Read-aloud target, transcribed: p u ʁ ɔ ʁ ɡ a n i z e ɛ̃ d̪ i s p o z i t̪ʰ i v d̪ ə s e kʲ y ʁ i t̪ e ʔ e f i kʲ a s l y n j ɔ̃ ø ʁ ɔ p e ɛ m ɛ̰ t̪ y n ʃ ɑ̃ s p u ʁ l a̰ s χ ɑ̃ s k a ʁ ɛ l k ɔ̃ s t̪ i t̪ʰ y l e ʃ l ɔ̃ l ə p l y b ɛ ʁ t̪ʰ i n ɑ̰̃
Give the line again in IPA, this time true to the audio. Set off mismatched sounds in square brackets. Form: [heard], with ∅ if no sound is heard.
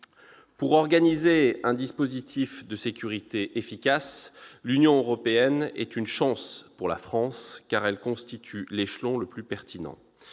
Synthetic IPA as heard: p u ʁ ɔ ʁ ɡ a n i z e ɛ̃ d̪ i s p o z i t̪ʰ i [f] d̪ ə s e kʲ y ʁ i t̪ e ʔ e f i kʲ a s l y n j ɔ̃ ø ʁ ɔ p e ɛ [n] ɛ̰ t̪ y n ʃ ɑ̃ s p u ʁ l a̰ [f] χ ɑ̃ s k a ʁ ɛ l k ɔ̃ s t̪ i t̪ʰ y l e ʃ l ɔ̃ l ə p l y [p] ɛ ʁ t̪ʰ i n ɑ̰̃

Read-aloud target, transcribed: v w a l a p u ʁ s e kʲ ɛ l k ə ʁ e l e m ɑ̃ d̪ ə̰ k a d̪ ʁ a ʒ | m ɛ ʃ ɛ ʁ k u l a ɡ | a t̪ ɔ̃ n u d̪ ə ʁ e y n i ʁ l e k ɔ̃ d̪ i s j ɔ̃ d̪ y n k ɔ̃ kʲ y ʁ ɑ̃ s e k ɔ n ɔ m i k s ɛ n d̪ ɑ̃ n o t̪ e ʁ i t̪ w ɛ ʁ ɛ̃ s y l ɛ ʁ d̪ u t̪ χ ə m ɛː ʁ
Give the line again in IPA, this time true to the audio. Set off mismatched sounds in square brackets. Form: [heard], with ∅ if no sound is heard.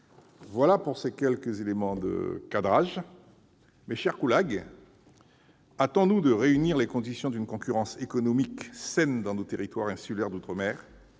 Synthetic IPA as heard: v w a l a p u ʁ s e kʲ ɛ l k ə [z] e l e m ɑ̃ d̪ ə̰ k a d̪ ʁ a ʒ | m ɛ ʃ ɛ ʁ k u l a ɡ | a t̪ ɔ̃ n u d̪ ə ʁ e y n i ʁ l e k ɔ̃ d̪ i s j ɔ̃ d̪ y n k ɔ̃ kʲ y ʁ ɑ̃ s e k ɔ n ɔ m i k s ɛ n d̪ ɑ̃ n o t̪ e ʁ i t̪ w [a] ʁ ɛ̃ s y l ɛ ʁ d̪ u t̪ χ ə m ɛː ʁ

